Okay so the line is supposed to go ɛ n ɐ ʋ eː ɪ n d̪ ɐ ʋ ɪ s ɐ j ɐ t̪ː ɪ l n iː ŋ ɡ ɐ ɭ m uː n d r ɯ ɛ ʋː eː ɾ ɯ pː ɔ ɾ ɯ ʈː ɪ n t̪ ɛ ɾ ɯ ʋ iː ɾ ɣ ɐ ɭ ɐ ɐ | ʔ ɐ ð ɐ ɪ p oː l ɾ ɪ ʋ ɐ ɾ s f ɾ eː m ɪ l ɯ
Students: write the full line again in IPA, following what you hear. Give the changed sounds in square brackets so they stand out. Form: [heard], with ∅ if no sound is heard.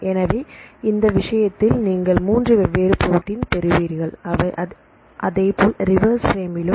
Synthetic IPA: ɛ n ɐ ʋ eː ɪ n d̪ ɐ ʋ ɪ [ʂ] ɐ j ɐ t̪ː ɪ l n iː ŋ ɡ ɐ ɭ m uː n d r ɯ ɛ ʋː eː ɾ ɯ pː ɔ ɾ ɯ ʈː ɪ n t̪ ɛ ɾ ɯ ʋ iː ɾ ɣ ɐ ɭ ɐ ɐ | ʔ ɐ ð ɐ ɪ p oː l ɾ ɪ ʋ ɐ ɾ s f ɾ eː m ɪ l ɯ

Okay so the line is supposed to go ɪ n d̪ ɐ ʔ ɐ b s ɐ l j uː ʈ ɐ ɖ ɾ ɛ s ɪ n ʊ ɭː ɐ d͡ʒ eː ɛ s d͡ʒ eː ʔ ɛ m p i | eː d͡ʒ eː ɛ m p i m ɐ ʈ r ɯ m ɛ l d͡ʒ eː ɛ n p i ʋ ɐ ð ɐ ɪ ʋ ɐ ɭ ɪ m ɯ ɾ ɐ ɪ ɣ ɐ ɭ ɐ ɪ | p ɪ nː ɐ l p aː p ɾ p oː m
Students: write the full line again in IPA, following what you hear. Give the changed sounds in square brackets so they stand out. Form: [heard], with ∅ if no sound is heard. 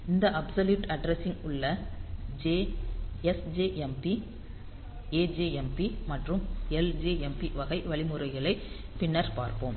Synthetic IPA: ɪ n d̪ ɐ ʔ ɐ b s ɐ l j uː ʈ ɐ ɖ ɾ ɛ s ɪ [ŋ] ʊ ɭː ɐ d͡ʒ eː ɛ s d͡ʒ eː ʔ ɛ m p i | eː d͡ʒ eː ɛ m p i m ɐ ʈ r ɯ m ɛ l d͡ʒ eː ɛ [m] p i ʋ ɐ [ɣ] ɐ ɪ ʋ ɐ ɭ ɪ m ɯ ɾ ɐ ɪ ɣ ɐ ɭ ɐ ɪ | p ɪ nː ɐ [ɾ] p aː [∅] ɾ p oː m

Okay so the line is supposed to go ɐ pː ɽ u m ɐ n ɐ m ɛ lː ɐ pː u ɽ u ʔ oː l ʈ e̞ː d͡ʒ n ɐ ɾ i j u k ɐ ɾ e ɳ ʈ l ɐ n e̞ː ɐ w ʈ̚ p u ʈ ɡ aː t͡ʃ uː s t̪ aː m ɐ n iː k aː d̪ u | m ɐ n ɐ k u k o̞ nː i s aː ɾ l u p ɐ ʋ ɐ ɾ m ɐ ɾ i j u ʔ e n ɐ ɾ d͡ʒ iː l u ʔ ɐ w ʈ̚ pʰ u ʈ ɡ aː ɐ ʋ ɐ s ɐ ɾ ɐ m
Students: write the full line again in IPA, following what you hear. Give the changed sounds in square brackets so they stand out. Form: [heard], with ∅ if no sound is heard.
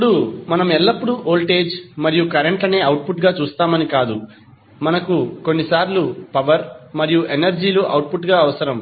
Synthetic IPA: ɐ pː ɽ u m ɐ n ɐ m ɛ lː ɐ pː u ɽ u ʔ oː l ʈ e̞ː d͡ʒ [m] ɐ ɾ i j u k ɐ ɾ e ɳ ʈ l ɐ n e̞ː ɐ w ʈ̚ p u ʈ ɡ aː t͡ʃ uː s t̪ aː m ɐ n [i] k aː d̪ u | m ɐ n ɐ k u k o̞ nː i s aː ɾ l u p ɐ ʋ ɐ ɾ m ɐ ɾ i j u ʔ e n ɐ ɾ d͡ʒ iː l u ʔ ɐ w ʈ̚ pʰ u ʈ ɡ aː ɐ ʋ ɐ s ɐ ɾ ɐ m

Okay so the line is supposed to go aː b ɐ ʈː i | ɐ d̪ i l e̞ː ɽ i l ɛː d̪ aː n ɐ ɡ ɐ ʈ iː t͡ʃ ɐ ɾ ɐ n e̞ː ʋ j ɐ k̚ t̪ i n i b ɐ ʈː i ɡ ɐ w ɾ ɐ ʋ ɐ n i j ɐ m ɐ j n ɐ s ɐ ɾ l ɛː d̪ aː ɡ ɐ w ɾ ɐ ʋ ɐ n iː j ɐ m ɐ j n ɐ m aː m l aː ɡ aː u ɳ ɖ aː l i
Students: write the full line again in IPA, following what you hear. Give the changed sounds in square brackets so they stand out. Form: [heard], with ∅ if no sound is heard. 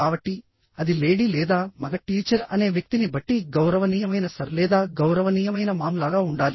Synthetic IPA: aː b ɐ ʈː i | ɐ d̪ i l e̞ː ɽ i l ɛː d̪ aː [m] ɐ ɡ ɐ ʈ iː t͡ʃ ɐ ɾ ɐ n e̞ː ʋ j ɐ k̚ t̪ i n i b ɐ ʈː i ɡ ɐ w ɾ ɐ ʋ ɐ n i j ɐ m ɐ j n ɐ s ɐ ɾ l ɛː d̪ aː ɡ ɐ w ɾ ɐ ʋ ɐ n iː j ɐ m ɐ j n ɐ m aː m l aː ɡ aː u ɳ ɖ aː l i

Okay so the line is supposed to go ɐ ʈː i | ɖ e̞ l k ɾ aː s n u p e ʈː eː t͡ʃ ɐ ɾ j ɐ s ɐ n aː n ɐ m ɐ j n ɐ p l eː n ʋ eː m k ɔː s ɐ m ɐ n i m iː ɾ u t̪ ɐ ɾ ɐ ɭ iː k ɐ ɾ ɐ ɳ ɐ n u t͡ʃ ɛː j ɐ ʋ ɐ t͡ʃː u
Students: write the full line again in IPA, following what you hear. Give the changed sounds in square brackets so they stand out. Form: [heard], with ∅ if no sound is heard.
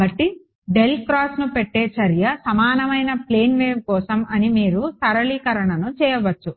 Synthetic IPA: ɐ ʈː i | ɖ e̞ l k ɾ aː s n u p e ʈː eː t͡ʃ ɐ ɾ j ɐ s ɐ [m] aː n ɐ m ɐ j n ɐ p l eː n ʋ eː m k ɔː s ɐ m ɐ n i m iː ɾ u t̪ ɐ ɾ ɐ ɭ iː k ɐ ɾ ɐ ɳ ɐ n u t͡ʃ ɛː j ɐ ʋ ɐ t͡ʃː u

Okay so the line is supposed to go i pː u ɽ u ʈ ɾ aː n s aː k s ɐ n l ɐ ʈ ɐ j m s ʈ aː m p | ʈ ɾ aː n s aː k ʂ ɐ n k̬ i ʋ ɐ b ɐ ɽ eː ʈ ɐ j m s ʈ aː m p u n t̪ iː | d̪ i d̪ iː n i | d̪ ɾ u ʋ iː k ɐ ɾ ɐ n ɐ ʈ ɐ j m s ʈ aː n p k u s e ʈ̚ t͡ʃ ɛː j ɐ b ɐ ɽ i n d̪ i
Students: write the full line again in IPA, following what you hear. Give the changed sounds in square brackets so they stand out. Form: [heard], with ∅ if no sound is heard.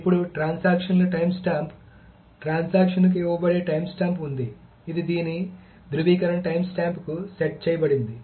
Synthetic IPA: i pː u ɽ u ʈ ɾ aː n s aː k [ʂ] ɐ n l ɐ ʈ ɐ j m s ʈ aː m p | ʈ ɾ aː n s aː k ʂ ɐ n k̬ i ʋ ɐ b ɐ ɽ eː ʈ ɐ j m s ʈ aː m p u n [d̪] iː | d̪ i d̪ iː n i | d̪ ɾ u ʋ iː k ɐ ɾ ɐ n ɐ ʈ ɐ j m s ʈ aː [m] p k u s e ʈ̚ t͡ʃ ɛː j ɐ b ɐ ɽ i n d̪ i

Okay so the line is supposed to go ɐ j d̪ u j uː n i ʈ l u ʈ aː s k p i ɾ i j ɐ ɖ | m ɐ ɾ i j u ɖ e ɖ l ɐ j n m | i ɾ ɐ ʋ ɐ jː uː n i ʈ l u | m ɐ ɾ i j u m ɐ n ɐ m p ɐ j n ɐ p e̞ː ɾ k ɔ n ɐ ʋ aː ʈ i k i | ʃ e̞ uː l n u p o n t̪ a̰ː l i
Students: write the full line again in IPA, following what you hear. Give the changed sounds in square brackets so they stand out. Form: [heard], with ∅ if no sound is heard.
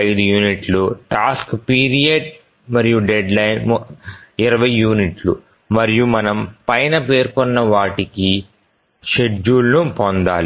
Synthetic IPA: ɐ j d̪ u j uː n i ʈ l u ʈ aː s k p [iː] ɾ i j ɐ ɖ | m ɐ ɾ i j u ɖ e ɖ l ɐ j n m | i ɾ ɐ ʋ ɐ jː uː n i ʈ l u | m ɐ ɾ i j u m ɐ n ɐ m p ɐ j n ɐ p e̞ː ɾ k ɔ [nː] ɐ ʋ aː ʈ i k i | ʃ e̞ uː l n u p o n [d̪] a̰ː l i

